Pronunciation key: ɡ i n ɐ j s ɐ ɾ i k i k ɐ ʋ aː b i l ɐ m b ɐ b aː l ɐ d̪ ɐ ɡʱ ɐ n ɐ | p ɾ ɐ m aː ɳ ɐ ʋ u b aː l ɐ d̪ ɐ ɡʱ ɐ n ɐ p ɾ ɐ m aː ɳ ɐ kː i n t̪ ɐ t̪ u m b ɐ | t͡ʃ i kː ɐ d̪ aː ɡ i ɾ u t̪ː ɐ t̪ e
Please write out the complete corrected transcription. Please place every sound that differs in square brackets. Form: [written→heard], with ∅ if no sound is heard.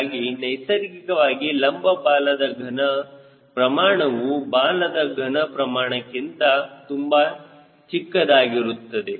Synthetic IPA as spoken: ɡ i n ɐ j s ɐ ɾ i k i k ɐ ʋ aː [b→ɡ] i l ɐ m b ɐ b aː l ɐ d̪ ɐ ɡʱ ɐ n ɐ | p ɾ ɐ m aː ɳ ɐ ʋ u b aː l ɐ d̪ ɐ ɡʱ ɐ n ɐ p ɾ ɐ m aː ɳ ɐ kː i n t̪ ɐ t̪ u m b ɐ | t͡ʃ i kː ɐ d̪ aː ɡ i ɾ u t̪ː ɐ [t̪→d̪] e